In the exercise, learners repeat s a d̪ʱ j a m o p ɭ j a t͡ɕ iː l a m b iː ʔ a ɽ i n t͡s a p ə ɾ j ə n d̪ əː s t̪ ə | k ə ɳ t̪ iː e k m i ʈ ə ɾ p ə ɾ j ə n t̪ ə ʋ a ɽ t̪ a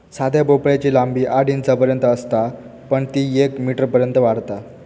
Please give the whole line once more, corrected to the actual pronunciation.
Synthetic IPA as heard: s a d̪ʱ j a b o p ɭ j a t͡ɕ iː l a m b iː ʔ a ɽ i n t͡s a p ə ɾ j ə n t̪ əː s t̪ a | p ə ɳ t̪ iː e k m i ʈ ə ɾ p ə ɾ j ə n t̪ ə ʋ a ɽ t̪ a